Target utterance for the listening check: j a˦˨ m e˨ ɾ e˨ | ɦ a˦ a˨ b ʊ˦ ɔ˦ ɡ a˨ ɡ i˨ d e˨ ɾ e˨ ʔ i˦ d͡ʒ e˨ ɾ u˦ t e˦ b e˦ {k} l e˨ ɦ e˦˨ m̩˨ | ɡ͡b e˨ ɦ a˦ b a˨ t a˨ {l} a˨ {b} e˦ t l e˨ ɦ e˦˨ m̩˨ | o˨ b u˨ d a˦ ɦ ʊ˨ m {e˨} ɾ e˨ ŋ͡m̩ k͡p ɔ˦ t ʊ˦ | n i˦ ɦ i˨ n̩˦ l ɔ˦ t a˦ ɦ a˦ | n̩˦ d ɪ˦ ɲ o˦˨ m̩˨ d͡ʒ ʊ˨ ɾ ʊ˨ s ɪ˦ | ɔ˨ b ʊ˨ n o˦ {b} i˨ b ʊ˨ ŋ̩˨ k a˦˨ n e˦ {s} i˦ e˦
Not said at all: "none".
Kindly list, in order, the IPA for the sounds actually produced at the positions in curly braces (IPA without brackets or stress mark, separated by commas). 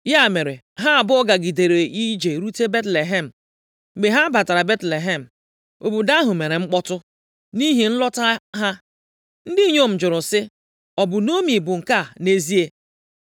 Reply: t, ɾ, b, e˨, m, z